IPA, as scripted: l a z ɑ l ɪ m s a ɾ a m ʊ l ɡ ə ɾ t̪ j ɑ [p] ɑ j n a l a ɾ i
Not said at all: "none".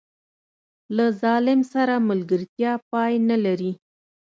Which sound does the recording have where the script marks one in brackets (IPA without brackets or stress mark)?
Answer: p